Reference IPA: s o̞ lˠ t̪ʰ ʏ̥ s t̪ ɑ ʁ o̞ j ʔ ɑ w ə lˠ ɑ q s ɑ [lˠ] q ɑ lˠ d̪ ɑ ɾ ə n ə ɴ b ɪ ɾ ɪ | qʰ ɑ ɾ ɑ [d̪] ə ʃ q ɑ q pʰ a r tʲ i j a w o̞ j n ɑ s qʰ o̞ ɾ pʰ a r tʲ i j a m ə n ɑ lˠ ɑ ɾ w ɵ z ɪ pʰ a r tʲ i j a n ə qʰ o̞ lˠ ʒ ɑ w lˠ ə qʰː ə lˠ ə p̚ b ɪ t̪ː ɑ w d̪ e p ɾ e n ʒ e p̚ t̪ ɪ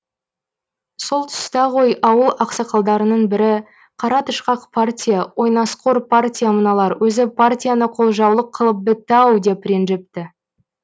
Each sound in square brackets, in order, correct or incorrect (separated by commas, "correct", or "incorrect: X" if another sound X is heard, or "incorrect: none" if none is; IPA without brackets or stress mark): incorrect: none, incorrect: t̪